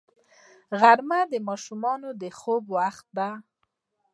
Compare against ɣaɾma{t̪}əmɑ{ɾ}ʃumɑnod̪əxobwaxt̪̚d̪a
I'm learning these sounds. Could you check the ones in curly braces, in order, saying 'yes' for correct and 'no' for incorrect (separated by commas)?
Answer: no, no